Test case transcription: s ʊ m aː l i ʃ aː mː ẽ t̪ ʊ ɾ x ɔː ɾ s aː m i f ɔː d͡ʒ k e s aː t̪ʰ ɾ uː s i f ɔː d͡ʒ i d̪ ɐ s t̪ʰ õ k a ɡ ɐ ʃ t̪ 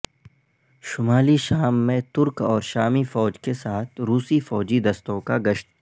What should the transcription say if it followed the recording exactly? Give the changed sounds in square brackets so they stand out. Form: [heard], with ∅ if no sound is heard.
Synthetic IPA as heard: [ʃ] ʊ m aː l i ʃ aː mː ẽ t̪ ʊ ɾ [k] ɔː ɾ [ʃ] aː m i f ɔː d͡ʒ k e s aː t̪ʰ ɾ uː s i f ɔː d͡ʒ i d̪ ɐ s [t̪] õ k a ɡ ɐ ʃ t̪